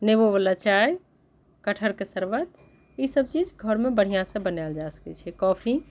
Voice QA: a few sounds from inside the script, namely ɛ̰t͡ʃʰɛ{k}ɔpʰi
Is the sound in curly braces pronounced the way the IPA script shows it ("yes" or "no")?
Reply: yes